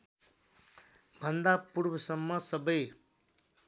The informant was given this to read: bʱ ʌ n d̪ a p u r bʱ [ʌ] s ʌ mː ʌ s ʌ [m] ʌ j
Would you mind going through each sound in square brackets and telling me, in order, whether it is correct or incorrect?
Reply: correct, incorrect

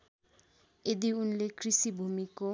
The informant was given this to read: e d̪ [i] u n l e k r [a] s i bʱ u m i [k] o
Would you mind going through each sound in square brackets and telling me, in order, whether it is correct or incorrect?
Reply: correct, incorrect, correct

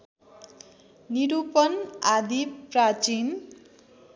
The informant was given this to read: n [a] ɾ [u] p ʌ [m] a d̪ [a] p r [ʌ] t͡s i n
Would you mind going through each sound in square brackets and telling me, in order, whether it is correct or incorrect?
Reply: incorrect, correct, incorrect, incorrect, incorrect

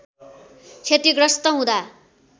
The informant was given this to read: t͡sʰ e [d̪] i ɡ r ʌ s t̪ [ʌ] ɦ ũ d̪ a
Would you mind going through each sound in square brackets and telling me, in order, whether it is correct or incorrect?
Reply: incorrect, correct

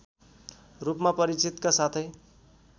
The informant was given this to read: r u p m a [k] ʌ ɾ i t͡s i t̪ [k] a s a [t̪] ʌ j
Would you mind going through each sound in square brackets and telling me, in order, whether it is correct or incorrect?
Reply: incorrect, correct, incorrect

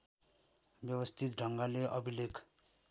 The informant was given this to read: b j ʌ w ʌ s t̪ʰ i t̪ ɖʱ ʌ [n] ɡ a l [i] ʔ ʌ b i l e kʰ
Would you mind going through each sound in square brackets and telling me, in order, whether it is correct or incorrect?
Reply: incorrect, incorrect

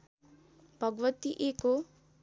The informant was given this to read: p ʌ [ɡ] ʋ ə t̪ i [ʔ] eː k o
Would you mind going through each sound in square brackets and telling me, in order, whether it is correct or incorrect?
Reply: correct, correct

